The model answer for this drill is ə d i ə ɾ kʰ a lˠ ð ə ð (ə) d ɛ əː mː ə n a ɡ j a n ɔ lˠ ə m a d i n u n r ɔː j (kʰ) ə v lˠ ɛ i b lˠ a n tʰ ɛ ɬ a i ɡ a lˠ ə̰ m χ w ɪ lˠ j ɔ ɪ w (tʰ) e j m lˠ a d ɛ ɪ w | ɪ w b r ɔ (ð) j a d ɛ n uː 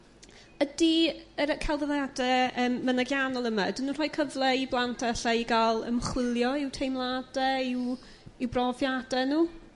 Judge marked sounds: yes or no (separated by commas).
no, yes, yes, no